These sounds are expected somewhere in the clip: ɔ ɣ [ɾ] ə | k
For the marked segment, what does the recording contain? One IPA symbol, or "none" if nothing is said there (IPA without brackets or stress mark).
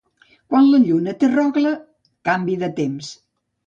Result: l